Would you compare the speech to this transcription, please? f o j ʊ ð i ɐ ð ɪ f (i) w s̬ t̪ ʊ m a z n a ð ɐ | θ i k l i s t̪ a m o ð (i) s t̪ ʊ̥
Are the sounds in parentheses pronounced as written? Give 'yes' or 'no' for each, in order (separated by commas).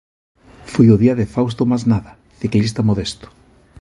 no, no